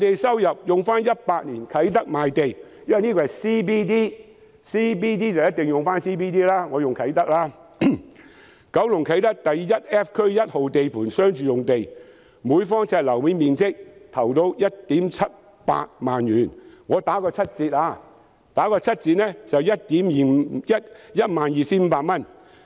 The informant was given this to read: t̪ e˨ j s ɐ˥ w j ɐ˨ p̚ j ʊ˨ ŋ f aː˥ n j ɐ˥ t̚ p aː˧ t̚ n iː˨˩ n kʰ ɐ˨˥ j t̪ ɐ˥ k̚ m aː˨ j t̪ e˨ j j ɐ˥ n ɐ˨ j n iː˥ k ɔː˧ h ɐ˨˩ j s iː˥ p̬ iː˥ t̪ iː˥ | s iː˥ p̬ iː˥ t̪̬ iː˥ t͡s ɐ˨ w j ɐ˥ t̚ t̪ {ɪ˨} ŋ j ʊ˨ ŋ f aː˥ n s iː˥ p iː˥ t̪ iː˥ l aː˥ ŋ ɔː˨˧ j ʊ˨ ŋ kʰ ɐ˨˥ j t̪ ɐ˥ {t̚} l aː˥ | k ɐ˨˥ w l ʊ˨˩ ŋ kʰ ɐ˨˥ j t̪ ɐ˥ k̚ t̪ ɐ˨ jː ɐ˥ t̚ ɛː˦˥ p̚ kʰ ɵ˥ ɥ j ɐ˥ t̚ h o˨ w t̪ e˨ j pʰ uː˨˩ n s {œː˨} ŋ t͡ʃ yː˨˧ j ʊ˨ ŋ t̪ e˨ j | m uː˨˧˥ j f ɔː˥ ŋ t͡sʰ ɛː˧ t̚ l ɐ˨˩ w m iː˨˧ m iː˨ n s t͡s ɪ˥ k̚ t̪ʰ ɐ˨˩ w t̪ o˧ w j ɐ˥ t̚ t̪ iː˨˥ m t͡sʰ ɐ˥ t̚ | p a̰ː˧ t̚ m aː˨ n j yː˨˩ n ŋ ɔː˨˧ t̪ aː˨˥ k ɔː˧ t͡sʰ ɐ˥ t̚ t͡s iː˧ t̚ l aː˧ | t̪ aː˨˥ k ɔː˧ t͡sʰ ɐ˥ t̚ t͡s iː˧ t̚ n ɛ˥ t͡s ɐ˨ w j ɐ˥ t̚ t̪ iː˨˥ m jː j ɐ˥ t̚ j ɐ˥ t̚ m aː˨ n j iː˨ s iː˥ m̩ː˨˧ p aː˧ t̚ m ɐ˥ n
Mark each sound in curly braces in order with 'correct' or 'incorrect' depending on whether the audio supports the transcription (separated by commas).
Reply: correct, incorrect, incorrect